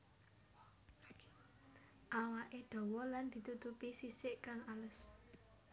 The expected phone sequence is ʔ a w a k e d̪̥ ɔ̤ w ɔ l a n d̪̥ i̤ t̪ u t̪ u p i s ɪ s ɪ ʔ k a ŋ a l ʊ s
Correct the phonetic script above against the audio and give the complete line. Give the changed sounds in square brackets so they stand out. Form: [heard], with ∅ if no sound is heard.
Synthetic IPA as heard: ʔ a w a [ʔ] e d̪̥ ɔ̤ w ɔ l a n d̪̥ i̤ t̪ u t̪ u p i s [i] s ɪ ʔ k a ŋ a l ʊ s